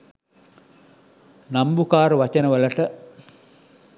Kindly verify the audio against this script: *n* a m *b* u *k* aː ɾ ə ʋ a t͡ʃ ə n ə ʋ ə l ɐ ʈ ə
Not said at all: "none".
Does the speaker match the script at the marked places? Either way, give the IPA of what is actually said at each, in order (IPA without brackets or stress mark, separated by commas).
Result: n, b, k